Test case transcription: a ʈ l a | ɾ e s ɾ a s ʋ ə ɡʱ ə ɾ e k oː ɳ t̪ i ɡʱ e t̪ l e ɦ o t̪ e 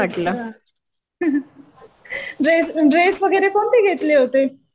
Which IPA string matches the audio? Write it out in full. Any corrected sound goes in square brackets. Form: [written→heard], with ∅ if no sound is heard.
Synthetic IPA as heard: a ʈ l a | ɾ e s ɾ [a→e] s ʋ ə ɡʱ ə ɾ e k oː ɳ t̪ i ɡʱ e t̪ l e ɦ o t̪ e